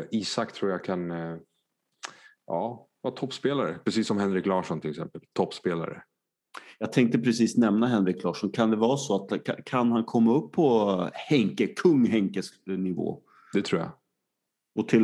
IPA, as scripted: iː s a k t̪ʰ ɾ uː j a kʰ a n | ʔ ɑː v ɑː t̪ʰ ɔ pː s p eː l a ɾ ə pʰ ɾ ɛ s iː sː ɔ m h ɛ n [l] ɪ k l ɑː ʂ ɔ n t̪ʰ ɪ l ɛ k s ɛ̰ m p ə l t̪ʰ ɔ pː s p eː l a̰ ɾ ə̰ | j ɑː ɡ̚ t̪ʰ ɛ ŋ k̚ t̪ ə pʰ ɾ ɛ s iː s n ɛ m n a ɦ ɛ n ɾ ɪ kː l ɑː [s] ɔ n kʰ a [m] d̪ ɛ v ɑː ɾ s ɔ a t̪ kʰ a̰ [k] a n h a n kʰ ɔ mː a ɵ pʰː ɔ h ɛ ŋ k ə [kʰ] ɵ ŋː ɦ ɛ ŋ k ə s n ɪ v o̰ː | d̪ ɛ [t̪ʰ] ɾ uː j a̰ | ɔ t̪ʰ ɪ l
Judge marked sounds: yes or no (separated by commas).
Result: no, no, no, no, yes, yes